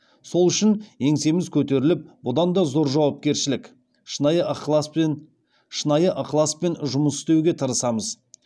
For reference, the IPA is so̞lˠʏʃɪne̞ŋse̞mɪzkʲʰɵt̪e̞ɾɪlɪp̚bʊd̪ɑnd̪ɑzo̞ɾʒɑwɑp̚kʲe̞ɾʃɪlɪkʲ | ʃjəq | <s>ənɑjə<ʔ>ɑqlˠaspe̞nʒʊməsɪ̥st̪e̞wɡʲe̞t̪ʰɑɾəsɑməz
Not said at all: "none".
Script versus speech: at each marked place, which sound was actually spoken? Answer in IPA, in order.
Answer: ʃ, ʔ

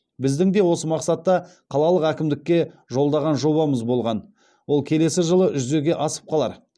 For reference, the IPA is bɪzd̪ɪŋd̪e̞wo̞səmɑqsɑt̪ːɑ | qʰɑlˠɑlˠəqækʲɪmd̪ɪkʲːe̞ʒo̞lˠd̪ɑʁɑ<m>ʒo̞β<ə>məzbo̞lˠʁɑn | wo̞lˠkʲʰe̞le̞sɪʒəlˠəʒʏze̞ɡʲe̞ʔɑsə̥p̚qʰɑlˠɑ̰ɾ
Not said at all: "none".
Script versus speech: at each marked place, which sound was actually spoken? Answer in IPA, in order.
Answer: n, ɑ

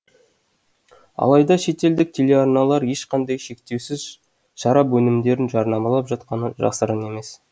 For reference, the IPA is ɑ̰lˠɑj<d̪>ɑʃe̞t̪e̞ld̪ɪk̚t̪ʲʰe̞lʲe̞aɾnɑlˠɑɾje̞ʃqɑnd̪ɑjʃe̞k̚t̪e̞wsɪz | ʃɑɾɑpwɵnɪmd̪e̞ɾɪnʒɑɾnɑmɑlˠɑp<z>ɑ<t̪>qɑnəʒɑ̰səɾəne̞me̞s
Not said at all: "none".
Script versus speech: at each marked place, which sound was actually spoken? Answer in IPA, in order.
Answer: d̪, ʒ, t̪

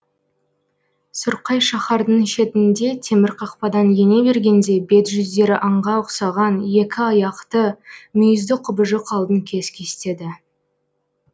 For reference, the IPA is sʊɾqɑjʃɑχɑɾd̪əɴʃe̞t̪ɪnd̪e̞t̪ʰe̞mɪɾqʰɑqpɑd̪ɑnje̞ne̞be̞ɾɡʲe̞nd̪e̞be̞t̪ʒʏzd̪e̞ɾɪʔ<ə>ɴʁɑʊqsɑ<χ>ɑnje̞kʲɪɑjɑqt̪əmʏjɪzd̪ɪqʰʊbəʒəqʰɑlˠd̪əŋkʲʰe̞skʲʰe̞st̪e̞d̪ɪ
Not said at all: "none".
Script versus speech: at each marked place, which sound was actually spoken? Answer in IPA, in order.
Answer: ɑ, ʁ

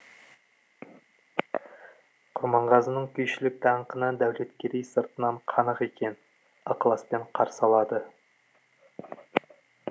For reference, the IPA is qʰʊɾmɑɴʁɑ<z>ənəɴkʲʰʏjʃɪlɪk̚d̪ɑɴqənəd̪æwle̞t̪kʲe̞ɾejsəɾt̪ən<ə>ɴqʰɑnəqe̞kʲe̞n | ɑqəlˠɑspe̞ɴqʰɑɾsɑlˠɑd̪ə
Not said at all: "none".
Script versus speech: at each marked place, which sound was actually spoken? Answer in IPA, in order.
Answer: z, ɑ

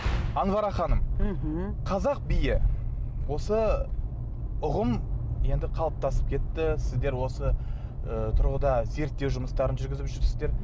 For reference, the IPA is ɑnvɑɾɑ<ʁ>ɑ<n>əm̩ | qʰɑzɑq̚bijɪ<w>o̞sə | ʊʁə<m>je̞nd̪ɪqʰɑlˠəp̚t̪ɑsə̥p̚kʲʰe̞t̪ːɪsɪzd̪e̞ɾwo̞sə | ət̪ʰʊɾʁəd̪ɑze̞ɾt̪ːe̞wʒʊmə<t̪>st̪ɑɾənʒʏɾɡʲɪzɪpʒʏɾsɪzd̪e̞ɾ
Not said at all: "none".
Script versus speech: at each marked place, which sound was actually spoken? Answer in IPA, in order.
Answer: χ, n, w, m, none

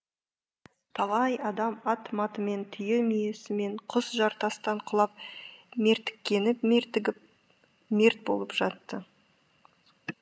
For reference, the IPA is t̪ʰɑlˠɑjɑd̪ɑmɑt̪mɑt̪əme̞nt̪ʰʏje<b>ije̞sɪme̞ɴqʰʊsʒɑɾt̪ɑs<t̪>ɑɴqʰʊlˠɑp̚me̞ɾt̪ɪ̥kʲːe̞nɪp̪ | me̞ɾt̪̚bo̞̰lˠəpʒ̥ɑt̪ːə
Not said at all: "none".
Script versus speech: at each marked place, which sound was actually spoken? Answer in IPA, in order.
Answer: m, t̪

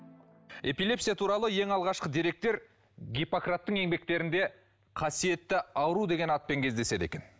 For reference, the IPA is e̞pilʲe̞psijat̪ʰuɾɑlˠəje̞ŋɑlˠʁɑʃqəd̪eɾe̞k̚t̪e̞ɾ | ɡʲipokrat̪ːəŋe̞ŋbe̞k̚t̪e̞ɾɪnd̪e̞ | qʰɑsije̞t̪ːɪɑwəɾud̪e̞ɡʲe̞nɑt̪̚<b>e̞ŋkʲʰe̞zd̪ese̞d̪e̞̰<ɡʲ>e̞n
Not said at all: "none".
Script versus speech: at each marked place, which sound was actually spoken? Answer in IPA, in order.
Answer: p, kʲ

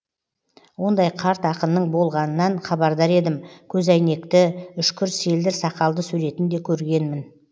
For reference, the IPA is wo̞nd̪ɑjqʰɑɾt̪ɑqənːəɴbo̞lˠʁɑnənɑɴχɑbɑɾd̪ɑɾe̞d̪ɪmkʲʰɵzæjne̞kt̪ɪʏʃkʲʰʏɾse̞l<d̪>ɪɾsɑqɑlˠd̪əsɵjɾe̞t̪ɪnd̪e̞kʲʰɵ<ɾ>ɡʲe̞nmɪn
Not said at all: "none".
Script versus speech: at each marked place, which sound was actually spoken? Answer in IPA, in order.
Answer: d̪, ɾ

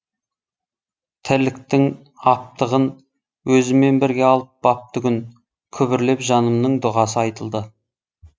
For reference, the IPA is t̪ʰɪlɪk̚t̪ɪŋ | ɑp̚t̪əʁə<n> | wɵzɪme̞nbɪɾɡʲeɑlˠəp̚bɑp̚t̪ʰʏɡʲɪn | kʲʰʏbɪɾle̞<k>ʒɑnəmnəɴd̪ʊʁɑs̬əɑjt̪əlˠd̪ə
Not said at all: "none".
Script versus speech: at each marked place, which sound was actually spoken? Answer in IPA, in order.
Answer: n, p

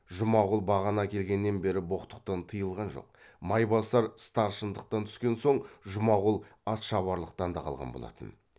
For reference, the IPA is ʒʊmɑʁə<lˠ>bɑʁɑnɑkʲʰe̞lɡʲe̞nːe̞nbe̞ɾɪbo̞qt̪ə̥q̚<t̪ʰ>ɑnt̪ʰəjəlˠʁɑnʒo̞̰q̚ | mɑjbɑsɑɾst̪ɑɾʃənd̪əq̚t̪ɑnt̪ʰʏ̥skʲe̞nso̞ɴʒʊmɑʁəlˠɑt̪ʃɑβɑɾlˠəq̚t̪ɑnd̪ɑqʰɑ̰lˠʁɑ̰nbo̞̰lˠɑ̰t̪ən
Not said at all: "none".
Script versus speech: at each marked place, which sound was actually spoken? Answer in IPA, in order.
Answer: lˠ, t̪

